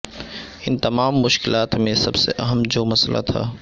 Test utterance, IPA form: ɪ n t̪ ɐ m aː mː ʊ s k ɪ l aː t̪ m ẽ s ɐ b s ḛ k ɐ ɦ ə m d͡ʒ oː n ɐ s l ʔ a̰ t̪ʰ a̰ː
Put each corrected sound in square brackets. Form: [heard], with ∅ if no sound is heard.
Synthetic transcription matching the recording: ɪ n t̪ ɐ m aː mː ʊ [ʃ] k ɪ l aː t̪ m ẽ s ɐ b s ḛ [ʔ] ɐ ɦ ə m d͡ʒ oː [m] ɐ s l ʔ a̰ t̪ʰ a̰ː